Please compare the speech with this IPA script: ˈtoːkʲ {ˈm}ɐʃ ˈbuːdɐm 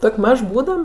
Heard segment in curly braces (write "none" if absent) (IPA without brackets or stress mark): m